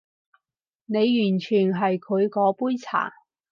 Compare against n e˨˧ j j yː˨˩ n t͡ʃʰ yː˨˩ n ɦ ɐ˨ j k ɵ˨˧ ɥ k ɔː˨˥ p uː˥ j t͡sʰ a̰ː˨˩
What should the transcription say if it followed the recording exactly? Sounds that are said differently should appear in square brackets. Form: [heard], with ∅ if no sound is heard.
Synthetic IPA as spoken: n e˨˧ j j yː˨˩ n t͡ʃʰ yː˨˩ n ɦ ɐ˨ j [kʰ] ɵ˨˧ ɥ k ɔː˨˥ p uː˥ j t͡sʰ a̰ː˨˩